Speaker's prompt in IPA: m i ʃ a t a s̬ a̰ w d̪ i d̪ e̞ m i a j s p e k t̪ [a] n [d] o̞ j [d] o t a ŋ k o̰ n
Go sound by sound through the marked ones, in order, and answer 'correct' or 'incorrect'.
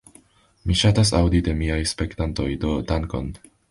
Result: correct, incorrect, correct

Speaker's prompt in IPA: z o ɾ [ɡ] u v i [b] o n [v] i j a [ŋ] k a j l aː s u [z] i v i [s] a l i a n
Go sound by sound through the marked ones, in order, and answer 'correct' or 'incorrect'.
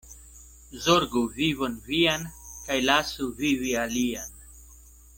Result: correct, incorrect, correct, incorrect, incorrect, incorrect

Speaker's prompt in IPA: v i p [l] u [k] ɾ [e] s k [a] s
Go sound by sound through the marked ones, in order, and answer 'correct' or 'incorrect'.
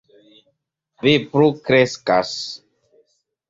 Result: incorrect, correct, correct, correct

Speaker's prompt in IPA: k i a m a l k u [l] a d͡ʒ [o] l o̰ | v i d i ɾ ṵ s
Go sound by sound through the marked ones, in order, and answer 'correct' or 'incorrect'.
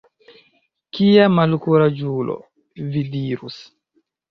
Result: incorrect, incorrect

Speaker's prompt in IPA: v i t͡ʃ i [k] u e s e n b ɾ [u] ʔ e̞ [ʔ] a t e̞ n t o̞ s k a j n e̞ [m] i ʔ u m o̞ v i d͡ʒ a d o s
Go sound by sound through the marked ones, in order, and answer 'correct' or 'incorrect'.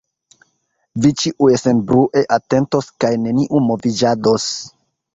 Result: incorrect, correct, correct, incorrect

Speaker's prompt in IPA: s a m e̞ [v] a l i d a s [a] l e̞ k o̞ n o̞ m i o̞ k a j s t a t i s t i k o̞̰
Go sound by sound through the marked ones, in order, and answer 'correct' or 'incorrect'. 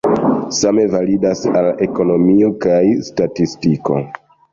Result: correct, correct

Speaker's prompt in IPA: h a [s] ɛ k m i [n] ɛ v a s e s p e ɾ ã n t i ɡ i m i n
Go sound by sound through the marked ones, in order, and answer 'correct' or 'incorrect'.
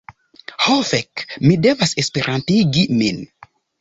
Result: incorrect, incorrect

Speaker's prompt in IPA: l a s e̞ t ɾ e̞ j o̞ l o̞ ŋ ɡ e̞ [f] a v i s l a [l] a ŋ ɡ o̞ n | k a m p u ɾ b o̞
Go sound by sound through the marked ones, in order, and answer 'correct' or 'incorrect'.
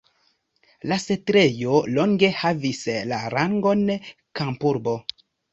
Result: incorrect, incorrect

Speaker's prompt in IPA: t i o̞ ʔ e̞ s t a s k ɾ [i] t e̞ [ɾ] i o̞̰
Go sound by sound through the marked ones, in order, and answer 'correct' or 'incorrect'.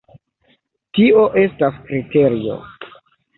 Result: correct, correct

